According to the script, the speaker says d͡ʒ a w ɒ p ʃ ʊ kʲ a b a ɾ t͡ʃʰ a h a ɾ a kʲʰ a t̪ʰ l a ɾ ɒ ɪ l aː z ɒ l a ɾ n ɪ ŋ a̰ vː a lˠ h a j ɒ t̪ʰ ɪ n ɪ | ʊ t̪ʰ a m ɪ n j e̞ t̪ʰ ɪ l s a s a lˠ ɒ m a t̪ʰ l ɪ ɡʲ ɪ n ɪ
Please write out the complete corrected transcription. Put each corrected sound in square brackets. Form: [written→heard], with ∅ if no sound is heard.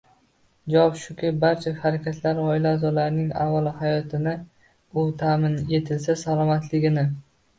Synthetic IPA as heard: d͡ʒ a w ɒ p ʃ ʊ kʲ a b a ɾ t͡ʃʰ a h a ɾ a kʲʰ a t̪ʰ l a ɾ ɒ ɪ l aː z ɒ l a ɾ n ɪ ŋ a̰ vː a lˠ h a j ɒ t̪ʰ ɪ n ɪ | ʊ t̪ʰ a m ɪ n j e̞ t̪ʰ ɪ l s a s a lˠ ɒ m a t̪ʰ l ɪ ɡʲ ɪ n ɪ

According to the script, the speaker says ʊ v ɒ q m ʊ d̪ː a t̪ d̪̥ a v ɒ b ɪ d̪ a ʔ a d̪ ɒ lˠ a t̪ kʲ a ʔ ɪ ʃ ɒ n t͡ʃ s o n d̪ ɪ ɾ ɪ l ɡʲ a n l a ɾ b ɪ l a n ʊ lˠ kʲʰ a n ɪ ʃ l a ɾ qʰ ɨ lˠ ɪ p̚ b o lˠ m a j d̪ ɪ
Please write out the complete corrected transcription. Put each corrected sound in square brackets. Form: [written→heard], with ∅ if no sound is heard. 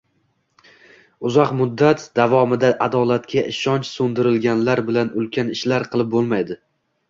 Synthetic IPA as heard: ʊ [v→z] ɒ q m ʊ d̪ː a t̪ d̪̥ a v ɒ [b→m] ɪ d̪ a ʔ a d̪ ɒ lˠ a t̪ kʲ a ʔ ɪ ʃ ɒ n t͡ʃ s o n d̪ ɪ ɾ ɪ l ɡʲ a n l a ɾ b ɪ l a n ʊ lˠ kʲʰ a n ɪ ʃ l a ɾ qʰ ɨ lˠ ɪ p̚ b o lˠ m a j d̪ ɪ

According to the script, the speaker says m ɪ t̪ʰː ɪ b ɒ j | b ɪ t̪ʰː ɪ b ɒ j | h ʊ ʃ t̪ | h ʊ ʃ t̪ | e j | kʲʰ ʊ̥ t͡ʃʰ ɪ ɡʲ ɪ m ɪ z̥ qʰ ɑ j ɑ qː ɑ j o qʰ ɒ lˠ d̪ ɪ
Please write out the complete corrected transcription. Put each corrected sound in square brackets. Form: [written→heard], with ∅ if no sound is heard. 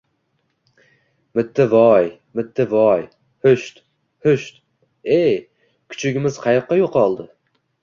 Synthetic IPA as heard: m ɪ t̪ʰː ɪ [b→v] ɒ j | [b→m] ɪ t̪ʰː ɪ [b→v] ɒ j | h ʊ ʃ t̪ | h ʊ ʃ t̪ | e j | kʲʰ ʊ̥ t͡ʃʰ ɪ ɡʲ ɪ m ɪ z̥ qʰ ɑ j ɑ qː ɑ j o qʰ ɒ lˠ d̪ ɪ

